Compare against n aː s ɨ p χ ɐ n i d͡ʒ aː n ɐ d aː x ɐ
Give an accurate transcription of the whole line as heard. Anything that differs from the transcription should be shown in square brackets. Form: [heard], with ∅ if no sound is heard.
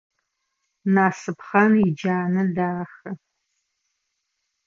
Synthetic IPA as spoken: n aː s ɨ p χ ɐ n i d͡ʒ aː n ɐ d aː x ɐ